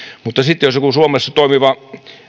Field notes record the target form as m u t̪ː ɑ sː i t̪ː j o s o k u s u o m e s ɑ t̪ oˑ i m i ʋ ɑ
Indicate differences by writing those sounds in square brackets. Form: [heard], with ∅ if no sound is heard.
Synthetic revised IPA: m u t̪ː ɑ [s] i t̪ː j o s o k u s u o m e [sː] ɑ t̪ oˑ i m i ʋ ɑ